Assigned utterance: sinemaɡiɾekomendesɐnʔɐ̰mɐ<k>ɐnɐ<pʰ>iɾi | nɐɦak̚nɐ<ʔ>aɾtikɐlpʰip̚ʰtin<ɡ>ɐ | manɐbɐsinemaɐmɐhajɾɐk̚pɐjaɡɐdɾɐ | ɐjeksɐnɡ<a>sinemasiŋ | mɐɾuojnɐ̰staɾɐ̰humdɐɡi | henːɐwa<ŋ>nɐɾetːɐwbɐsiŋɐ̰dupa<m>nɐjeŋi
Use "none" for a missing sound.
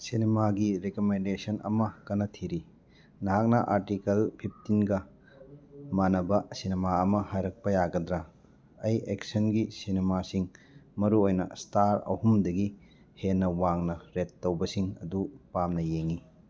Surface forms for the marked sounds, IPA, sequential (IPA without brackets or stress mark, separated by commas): k, tʰ, ʔ, ɡ, i, ŋ, m